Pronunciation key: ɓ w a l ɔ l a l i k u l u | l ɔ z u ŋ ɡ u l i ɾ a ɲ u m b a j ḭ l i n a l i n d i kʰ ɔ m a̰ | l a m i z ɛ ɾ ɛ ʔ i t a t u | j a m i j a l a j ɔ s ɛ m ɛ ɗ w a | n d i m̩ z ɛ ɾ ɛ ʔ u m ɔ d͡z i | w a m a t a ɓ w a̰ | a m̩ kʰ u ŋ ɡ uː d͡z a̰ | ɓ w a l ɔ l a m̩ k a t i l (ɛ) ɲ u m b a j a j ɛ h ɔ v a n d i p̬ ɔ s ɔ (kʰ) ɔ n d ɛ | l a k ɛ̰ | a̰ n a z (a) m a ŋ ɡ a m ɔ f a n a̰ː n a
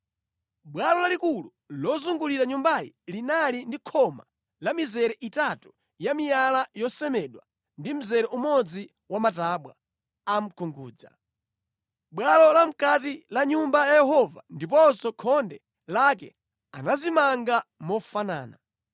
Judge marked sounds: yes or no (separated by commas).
no, yes, no